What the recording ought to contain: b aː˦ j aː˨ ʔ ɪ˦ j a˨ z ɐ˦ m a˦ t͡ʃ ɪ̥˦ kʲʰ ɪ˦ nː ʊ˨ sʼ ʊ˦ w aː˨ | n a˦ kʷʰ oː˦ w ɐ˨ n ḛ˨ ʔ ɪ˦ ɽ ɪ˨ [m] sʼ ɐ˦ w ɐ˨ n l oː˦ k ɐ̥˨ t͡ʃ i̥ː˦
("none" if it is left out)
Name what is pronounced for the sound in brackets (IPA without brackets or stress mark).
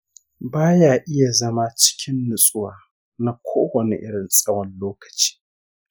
n